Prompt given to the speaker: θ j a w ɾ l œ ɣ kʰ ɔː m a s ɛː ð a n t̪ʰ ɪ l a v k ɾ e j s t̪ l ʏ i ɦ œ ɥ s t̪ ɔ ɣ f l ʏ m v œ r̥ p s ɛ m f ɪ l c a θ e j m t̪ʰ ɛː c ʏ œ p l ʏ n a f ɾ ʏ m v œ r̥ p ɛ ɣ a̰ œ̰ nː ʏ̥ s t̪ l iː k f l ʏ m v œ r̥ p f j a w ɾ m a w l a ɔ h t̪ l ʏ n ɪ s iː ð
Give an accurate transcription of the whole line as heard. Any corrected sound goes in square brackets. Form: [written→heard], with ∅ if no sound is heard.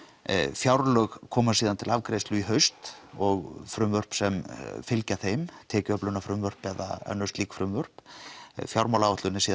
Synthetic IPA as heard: [θ→f] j a w ɾ l œ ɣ kʰ ɔː m a s [ɛː→iː] ð a n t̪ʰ ɪ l a v k ɾ e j s t̪ l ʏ i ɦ œ ɥ s t̪ ɔ ɣ f [l→ɾ] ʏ m v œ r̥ p s ɛ m f ɪ l c a θ e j m t̪ʰ ɛː c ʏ œ p l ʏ n a f ɾ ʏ m v œ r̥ p ɛ [ɣ→ð] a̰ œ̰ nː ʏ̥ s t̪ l iː k f [l→ɾ] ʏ m v œ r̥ p f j a w ɾ m a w l a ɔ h t̪ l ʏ n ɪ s iː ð